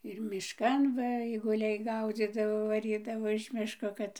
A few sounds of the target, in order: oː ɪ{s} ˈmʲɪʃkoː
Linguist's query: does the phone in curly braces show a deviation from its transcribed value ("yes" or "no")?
yes